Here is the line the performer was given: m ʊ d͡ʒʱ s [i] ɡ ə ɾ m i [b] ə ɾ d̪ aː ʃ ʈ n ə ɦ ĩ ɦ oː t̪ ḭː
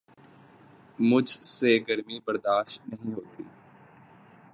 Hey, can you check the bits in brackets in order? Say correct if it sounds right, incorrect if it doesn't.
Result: incorrect: e, correct

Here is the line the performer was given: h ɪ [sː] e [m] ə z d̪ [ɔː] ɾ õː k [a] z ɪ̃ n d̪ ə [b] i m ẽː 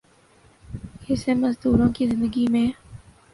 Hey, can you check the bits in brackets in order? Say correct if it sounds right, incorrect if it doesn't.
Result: incorrect: s, correct, incorrect: uː, incorrect: i, incorrect: ɡ

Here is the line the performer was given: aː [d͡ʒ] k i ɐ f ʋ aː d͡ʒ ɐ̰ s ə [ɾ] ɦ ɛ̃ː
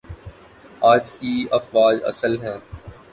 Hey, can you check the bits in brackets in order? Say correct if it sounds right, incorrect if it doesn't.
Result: correct, incorrect: l

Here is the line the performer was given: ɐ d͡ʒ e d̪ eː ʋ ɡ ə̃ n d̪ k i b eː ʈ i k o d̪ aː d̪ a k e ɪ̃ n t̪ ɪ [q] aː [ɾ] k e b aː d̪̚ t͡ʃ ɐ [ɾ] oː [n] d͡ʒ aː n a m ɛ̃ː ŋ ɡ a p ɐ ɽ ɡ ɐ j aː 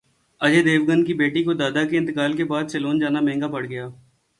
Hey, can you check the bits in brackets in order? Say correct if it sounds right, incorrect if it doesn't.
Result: incorrect: k, incorrect: l, incorrect: l, correct

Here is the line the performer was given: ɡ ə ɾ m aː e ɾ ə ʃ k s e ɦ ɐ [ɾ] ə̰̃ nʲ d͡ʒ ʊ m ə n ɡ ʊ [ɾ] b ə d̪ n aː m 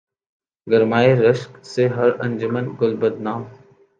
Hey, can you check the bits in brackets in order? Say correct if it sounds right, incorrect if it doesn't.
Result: correct, incorrect: l

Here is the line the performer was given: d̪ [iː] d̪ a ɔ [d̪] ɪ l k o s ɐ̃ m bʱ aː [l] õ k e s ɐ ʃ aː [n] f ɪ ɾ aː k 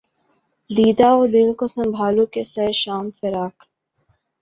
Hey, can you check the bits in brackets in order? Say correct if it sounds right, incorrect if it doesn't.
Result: correct, correct, correct, incorrect: m

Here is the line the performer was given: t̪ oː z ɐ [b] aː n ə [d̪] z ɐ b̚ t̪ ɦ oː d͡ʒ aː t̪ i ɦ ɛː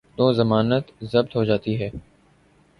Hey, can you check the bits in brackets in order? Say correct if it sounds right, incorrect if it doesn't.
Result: incorrect: m, incorrect: t̪

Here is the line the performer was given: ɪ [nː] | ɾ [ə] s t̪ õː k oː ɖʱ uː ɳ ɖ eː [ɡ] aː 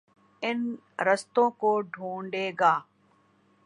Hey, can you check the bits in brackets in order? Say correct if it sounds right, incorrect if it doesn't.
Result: incorrect: n, correct, correct

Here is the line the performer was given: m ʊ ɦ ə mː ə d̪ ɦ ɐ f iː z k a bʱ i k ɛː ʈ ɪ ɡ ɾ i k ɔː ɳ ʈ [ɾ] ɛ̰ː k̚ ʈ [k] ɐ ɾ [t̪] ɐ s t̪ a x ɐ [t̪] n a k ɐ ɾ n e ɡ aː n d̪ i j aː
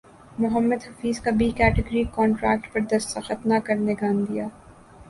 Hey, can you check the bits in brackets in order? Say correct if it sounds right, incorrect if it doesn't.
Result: correct, incorrect: p, incorrect: d̪, correct

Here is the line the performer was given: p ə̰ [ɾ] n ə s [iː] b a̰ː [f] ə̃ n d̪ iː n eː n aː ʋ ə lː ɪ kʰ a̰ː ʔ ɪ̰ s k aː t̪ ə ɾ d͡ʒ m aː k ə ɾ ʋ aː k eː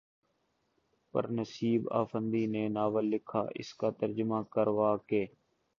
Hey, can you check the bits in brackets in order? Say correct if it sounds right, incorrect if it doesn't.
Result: correct, correct, correct

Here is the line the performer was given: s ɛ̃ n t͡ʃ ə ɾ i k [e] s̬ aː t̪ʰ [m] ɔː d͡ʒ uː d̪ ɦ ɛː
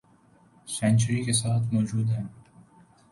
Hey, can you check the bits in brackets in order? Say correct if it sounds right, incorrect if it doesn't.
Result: correct, correct

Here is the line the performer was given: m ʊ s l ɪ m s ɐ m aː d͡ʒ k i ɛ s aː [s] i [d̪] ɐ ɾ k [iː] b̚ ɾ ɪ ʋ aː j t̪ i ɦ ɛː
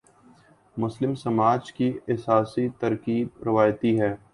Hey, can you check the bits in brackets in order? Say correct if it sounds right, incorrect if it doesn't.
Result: correct, incorrect: t̪, correct

